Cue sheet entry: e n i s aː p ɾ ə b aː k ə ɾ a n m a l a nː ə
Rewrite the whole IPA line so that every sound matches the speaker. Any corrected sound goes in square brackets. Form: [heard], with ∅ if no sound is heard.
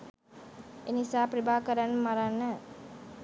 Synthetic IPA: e n i s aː p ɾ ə b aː k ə ɾ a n m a [ɾ] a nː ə